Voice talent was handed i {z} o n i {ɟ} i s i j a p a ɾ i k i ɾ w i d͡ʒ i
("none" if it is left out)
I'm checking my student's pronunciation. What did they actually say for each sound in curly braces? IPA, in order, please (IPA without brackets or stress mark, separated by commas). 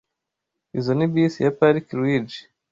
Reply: z, b